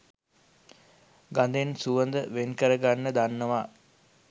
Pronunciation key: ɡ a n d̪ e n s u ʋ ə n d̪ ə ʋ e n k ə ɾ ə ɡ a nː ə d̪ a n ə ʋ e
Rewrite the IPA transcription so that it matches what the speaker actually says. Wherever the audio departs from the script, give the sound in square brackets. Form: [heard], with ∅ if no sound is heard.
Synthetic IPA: ɡ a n d̪ e n s u ʋ ə n d̪ ə ʋ e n k ə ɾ ə ɡ a nː ə d̪ a [nː] ə ʋ [a]